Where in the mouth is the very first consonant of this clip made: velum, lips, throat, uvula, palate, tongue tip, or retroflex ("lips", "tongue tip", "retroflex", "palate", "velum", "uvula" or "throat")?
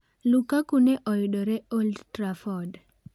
tongue tip